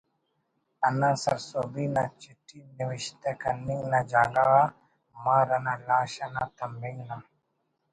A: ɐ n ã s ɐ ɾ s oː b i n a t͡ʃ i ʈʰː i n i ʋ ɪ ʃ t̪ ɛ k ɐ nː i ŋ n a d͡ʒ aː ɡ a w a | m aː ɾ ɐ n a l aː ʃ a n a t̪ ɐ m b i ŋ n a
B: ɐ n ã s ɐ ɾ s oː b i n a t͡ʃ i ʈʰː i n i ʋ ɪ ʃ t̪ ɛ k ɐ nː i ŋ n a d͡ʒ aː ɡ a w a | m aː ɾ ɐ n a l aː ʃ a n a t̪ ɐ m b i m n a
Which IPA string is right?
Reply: A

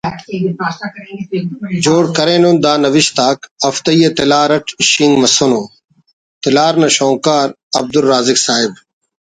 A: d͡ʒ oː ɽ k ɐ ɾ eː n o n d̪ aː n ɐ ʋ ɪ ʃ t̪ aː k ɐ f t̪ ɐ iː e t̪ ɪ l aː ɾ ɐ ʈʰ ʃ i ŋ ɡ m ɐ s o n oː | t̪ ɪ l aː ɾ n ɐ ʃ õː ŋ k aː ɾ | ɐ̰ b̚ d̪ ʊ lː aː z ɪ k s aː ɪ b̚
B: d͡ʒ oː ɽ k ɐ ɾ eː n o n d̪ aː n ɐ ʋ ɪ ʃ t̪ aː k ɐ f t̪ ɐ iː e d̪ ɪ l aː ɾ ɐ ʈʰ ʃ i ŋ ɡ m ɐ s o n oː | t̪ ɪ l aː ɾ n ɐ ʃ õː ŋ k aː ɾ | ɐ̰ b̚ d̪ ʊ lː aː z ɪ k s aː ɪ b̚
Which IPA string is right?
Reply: A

